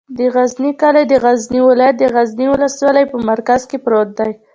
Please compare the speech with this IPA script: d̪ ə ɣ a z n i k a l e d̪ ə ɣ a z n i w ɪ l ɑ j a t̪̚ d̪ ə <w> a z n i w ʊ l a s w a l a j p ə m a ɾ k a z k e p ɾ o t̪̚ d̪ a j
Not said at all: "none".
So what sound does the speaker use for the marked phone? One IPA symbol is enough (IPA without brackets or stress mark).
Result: ɣ